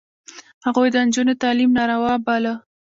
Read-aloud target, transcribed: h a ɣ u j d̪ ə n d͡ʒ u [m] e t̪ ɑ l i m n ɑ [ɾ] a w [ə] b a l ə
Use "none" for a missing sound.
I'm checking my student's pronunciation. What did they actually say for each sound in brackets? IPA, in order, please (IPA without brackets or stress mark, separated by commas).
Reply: n, ɾ, ɑ